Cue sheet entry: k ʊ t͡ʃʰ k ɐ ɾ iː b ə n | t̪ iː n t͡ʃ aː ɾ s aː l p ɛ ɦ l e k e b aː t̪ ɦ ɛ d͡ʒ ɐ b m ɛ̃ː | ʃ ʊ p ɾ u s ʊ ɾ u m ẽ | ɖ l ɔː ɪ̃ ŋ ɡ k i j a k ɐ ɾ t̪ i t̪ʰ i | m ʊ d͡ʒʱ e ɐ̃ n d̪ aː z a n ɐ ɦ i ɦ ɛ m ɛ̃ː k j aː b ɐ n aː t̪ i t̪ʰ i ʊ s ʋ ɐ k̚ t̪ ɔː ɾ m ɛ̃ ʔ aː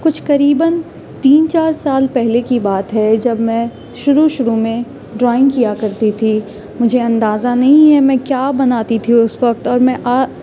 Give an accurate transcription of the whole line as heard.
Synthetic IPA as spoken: k ʊ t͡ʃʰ k ɐ ɾ iː b ə n | t̪ iː n t͡ʃ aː ɾ s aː l p ɛ ɦ l e k i b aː t̪ ɦ ɛ d͡ʒ ɐ b m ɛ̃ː | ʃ ʊ ɾ u ʃ ʊ ɾ u m ẽ | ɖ ɾ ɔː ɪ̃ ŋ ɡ k i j a k ɐ ɾ t̪ i t̪ʰ i | m ʊ d͡ʒʱ e ɐ̃ n d̪ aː z a n ɐ ɦ ĩ ɦ ɛ m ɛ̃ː k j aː b ɐ n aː t̪ i t̪ʰ i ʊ s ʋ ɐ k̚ t̪ ɔː ɾ m ɛ̃ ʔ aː